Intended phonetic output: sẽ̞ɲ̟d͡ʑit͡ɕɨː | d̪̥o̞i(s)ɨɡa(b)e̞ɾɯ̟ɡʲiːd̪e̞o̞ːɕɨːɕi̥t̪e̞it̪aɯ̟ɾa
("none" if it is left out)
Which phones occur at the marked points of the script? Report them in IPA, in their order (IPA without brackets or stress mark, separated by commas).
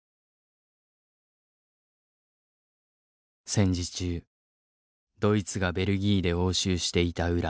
t͡s, b